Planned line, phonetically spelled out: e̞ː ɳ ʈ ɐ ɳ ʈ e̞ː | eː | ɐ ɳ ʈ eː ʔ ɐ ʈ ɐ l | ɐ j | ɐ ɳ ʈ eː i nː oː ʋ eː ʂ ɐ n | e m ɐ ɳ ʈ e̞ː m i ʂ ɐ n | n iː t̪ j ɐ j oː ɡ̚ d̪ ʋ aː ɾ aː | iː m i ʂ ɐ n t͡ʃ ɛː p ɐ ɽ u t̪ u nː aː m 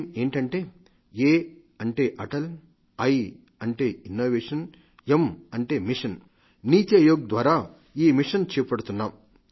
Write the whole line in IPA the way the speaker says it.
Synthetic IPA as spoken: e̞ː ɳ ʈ ɐ ɳ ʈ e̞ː | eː | ɐ ɳ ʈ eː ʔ ɐ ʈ ɐ l | ɐ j | ɐ ɳ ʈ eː i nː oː ʋ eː ʂ ɐ n | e m ɐ ɳ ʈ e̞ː m i ʂ ɐ n | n iː t̪ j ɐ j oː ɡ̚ d̪ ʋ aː ɾ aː | iː m i ʂ ɐ n t͡ʃ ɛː p ɐ ɽ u t̪ u nː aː m

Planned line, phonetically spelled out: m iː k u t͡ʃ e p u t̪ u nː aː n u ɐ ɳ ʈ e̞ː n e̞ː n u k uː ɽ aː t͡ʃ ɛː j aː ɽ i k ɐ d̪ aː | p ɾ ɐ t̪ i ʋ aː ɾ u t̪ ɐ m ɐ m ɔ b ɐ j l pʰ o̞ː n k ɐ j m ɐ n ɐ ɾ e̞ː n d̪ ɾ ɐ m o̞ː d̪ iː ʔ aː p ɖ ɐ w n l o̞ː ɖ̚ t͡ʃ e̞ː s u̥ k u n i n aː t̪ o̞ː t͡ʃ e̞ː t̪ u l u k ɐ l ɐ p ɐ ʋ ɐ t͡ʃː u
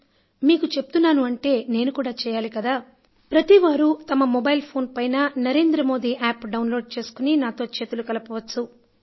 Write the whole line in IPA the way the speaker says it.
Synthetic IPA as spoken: m iː k u t͡ʃ e p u t̪ u nː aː n u ɐ ɳ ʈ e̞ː n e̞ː n u k uː ɽ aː t͡ʃ ɛː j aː l i k ɐ d̪ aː | p ɾ ɐ t̪ i ʋ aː ɾ u t̪ ɐ m ɐ m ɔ b ɐ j l pʰ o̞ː n p ɐ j n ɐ n ɐ ɾ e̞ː n d̪ ɾ ɐ m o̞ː d̪ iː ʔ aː p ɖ ɐ w n l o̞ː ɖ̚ t͡ʃ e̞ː s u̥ k u n i n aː t̪ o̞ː t͡ʃ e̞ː t̪ u l u k ɐ l ɐ p ɐ ʋ ɐ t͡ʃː u

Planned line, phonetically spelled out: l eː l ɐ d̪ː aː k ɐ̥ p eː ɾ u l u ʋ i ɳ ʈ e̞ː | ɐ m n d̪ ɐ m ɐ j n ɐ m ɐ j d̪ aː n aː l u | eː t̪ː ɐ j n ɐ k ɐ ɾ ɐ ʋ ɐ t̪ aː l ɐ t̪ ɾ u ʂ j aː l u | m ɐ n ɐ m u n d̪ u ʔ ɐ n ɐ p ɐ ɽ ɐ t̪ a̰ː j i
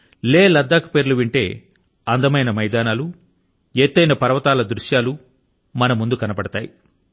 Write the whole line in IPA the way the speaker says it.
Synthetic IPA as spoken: l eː l ɐ d̪ː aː k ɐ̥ p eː ɾ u l u ʋ i ɳ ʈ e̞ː | ɐ n d̪ ɐ m ɐ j n ɐ m ɐ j d̪ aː n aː l u | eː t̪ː ɐ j n ɐ p ɐ ɾ ɐ ʋ ɐ t̪ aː l ɐ d̪ ɾ u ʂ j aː l u | m ɐ n ɐ m u n d̪ u k ɐ n ɐ p ɐ ɽ ɐ t̪ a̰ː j i

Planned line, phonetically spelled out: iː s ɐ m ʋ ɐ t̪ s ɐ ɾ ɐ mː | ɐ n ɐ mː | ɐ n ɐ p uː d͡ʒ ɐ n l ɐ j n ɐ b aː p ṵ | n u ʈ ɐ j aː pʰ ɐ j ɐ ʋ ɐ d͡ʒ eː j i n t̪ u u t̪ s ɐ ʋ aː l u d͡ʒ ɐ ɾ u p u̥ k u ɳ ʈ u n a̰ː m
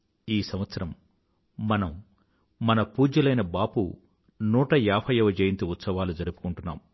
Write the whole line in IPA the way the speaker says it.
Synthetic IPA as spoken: iː s ɐ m ʋ ɐ t̪ s ɐ ɾ ɐ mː | ɐ n ɐ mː | ɐ n ɐ p uː d͡ʒ ɐ l ɐ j n ɐ b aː p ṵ | n uː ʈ ɐ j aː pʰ ɐ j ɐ ʋ ɐ d͡ʒ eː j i n t̪ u u t̪ s ɐ ʋ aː l u d͡ʒ ɐ ɾ u p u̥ k u ɳ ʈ u nː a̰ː m

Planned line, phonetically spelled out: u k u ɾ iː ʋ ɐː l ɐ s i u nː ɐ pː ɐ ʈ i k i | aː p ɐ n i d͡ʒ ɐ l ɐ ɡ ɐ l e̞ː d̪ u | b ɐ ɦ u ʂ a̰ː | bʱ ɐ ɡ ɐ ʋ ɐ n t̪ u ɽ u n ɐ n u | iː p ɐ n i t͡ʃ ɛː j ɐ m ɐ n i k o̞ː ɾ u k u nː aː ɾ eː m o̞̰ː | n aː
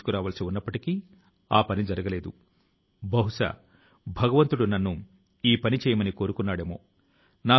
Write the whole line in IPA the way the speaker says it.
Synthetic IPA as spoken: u k u ɾ aː ʋ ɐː l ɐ s i u nː ɐ pː ɐ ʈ i k i | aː p ɐ n i d͡ʒ ɐ ɾ ɐ ɡ ɐ l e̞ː d̪ u | b ɐ ɦ u ʂ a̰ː | bʱ ɐ ɡ ɐ ʋ ɐ n t̪ u ɽ u n ɐ nː u | iː p ɐ n i t͡ʃ ɛː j ɐ m ɐ n i k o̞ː ɾ u k u nː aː ɽ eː m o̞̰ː | n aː

